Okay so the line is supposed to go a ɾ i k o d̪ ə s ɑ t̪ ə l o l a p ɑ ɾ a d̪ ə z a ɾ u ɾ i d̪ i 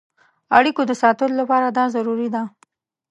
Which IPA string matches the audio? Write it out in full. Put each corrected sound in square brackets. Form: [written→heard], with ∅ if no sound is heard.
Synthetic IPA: a [ɾ→ɽ] i k o d̪ ə s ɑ t̪ ə l o l a p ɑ ɾ a d̪ [ə→ɑ] z a ɾ u ɾ i d̪ [i→a]

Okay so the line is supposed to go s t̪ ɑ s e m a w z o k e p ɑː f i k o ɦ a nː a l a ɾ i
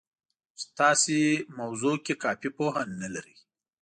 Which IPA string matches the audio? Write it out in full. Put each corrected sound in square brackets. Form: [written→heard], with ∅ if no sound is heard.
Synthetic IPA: s t̪ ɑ s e m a w z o k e [p→k] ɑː f i [k→p] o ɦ a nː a l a ɾ i

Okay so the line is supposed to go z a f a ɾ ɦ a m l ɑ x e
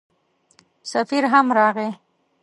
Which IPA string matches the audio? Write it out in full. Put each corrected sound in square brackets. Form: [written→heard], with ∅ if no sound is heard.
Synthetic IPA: [z→s] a f [a→i] ɾ ɦ a m [l→ɾ] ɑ [x→ɣ] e

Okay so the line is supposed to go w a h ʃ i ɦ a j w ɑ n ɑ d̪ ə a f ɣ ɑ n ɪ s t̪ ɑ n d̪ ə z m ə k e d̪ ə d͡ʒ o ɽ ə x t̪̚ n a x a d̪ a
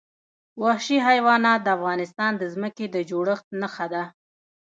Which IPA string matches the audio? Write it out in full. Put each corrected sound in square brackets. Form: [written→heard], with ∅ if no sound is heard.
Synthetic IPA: w a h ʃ i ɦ a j w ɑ n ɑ d̪ ə a f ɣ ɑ n ɪ s t̪ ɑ n d̪ ə z m ə k e d̪ ə d͡ʒ o ɽ ə x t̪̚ n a x a d̪ a

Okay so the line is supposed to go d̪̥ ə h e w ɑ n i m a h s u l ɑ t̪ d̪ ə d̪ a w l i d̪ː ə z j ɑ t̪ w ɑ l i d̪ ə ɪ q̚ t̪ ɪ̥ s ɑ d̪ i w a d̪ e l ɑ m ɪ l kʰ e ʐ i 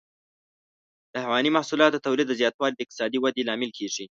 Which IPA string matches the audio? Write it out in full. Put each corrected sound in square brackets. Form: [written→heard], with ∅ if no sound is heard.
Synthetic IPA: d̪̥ ə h [e→a] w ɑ n i m a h s u l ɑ t̪ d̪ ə [d̪→t̪] a w l i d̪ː ə z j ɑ t̪ w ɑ l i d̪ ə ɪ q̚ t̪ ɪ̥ s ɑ d̪ i w a d̪ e l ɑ m ɪ l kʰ e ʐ i

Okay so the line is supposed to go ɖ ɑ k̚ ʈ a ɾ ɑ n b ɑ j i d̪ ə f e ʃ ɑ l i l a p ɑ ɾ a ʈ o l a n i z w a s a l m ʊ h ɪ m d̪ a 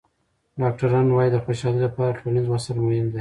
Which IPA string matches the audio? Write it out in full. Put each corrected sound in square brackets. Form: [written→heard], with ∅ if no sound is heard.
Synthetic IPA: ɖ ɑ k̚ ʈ a ɾ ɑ n [b→w] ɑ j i d̪ ə [f→x] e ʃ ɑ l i l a p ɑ ɾ a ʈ o l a n i z w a s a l m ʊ h ɪ m d̪ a

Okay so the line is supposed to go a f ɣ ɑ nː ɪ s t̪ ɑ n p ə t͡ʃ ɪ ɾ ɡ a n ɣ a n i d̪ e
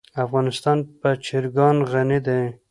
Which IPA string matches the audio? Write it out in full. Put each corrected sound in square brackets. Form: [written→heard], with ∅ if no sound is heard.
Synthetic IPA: a f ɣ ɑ [nː→n] ɪ s t̪ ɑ n p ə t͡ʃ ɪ ɾ ɡ [a→ɑ] n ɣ a n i d̪ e

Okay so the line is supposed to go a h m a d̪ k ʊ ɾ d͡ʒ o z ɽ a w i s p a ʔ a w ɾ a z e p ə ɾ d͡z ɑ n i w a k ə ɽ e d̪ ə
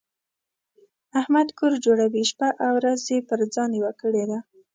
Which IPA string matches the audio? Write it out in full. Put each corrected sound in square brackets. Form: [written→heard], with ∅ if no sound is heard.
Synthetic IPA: a h m a d̪ k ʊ ɾ d͡ʒ o [z→∅] ɽ a w i [s→ʃ] p a ʔ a w ɾ a z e p ə ɾ d͡z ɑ n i w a k ə ɽ e d̪ [ə→a]

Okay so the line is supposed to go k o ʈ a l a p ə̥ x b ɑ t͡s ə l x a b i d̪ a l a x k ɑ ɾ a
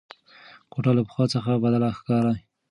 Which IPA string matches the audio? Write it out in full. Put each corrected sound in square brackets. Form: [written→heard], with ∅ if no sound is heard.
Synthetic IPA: k o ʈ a l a p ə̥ x [b→w] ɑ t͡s ə [l→∅] x a b [i→a] d̪ a l a x k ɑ ɾ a

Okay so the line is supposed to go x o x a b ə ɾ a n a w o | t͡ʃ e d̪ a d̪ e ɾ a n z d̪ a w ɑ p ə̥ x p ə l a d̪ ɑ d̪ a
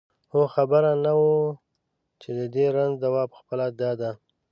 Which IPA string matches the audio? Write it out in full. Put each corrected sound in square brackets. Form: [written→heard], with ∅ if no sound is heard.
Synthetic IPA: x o x a b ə ɾ a n a w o | t͡ʃ e d̪ [a→ə] d̪ e ɾ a n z d̪ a w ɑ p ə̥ x p ə l a d̪ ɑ d̪ a

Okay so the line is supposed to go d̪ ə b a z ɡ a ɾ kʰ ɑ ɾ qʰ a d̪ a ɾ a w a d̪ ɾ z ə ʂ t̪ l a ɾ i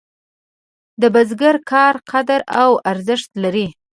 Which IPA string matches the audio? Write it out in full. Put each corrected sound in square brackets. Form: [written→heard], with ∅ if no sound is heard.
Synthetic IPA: d̪ ə b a z ɡ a ɾ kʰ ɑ ɾ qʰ a d̪ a ɾ a w a [d̪→∅] ɾ z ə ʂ t̪ l a ɾ i

